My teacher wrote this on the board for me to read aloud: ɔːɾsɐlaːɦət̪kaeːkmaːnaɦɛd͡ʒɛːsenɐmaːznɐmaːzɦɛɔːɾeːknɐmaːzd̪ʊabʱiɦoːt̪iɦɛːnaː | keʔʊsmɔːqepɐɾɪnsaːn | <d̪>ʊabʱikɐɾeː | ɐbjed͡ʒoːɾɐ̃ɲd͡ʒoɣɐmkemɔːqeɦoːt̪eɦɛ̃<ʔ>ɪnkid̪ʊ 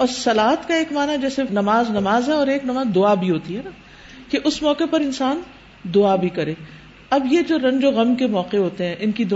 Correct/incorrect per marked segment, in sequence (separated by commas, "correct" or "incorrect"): correct, correct